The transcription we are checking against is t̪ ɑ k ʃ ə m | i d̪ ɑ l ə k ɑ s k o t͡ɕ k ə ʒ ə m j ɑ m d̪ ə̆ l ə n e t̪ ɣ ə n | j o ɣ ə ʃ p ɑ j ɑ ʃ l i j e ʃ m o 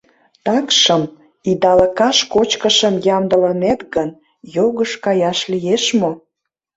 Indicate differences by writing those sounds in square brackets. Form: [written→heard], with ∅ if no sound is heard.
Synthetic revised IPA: t̪ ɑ k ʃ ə m | i d̪ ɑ l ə k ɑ [s→ʃ] k o t͡ɕ k ə [ʒ→ʃ] ə m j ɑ m d̪ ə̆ l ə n e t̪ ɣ ə n | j o ɣ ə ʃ [p→k] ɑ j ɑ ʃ l i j e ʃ m o